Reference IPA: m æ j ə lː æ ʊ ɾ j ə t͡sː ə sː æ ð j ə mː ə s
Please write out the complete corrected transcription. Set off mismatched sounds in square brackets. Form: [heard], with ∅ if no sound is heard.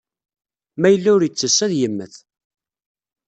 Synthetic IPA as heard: m æ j ə lː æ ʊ ɾ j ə t͡sː ə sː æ ð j ə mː ə [θ]